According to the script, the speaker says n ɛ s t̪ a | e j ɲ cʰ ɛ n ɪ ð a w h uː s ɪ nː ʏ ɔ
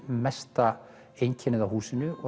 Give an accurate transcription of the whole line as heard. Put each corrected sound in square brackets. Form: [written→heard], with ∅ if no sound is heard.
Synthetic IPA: [n→m] ɛ s t̪ a | e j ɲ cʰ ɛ n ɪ ð a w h uː s ɪ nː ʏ ɔ